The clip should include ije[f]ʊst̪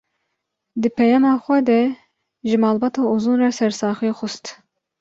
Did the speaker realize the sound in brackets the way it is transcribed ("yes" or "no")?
no